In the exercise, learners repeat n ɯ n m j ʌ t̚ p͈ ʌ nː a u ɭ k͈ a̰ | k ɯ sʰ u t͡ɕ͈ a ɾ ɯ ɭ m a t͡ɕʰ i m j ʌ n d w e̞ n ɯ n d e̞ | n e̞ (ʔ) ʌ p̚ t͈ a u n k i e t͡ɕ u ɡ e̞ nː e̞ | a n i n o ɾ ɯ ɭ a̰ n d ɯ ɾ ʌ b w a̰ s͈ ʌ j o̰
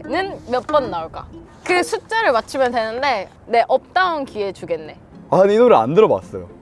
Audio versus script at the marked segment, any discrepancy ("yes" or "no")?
no